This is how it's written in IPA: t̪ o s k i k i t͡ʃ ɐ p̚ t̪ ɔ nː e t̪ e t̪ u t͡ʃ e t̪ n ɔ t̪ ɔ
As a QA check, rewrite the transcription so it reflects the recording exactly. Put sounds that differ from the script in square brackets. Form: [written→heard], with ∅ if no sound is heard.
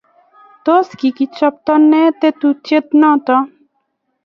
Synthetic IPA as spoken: t̪ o s k i k i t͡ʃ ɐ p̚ t̪ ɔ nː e t̪ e t̪ u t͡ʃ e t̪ n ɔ t̪ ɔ